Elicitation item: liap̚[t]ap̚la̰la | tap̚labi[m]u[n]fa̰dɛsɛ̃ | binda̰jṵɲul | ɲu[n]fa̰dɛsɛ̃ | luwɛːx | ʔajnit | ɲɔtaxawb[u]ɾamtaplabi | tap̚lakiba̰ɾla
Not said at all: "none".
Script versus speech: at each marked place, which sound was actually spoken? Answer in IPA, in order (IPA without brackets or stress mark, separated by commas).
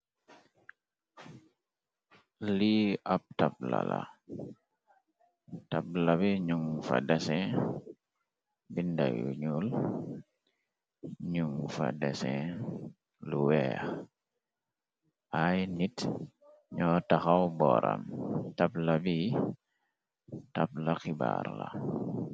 t, ɲ, ŋ, ŋ, ɔ